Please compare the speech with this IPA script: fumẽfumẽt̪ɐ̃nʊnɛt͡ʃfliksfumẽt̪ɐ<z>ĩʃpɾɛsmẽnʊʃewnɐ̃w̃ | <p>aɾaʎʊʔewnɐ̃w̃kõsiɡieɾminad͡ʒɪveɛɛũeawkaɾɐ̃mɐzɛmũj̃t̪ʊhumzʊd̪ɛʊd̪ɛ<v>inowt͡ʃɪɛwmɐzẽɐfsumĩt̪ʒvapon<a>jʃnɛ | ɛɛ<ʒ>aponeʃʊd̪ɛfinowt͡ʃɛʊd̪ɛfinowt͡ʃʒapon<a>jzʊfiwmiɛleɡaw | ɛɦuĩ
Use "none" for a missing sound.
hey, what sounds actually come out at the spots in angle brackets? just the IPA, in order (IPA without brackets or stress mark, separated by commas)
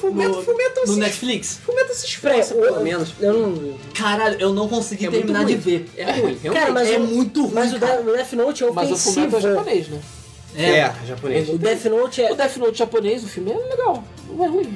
s, k, f, e, ʒ, e